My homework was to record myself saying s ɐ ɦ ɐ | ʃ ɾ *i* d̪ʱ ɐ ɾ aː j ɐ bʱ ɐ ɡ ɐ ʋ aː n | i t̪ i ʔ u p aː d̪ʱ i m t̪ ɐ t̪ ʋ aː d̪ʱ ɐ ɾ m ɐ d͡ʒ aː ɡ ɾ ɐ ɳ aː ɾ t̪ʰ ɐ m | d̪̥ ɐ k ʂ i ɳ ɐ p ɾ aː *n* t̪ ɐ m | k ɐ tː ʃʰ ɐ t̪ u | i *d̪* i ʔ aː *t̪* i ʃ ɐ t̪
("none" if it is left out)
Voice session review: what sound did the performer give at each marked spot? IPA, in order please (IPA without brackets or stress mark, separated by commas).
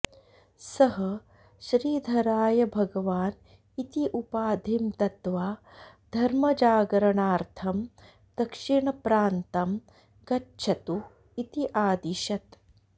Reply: iː, n, t̪, d̪